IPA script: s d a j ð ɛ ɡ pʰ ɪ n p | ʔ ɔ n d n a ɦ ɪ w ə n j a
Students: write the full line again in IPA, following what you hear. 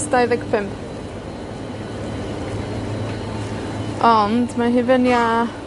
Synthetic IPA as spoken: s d a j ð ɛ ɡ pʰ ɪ m p | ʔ ɔ n d m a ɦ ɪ v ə n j a